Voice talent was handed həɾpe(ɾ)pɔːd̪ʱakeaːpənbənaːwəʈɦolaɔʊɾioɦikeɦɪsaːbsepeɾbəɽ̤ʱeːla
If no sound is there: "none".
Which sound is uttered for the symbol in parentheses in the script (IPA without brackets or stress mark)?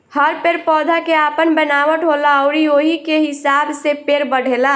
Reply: ɾ